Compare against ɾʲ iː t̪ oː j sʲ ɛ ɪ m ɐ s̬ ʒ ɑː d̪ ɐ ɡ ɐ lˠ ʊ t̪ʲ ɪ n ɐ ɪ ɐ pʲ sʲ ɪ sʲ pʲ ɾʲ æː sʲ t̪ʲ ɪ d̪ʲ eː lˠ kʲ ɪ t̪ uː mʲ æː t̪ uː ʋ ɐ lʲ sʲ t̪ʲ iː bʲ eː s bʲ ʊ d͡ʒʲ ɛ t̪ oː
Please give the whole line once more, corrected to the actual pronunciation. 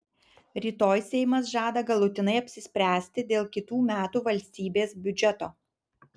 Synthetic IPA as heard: ɾʲ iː t̪ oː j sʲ ɛ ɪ m ɐ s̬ ʒ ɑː d̪ ɐ ɡ ɐ lˠ ʊ t̪ʲ ɪ n ɐ ɪ ɐ pʲ sʲ ɪ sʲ pʲ ɾʲ æː sʲ t̪ʲ ɪ d̪ʲ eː lˠ kʲ ɪ t̪ uː mʲ æː t̪ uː ʋ ɐ lʲ sʲ t̪ʲ iː bʲ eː s bʲ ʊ d͡ʒʲ ɛ t̪ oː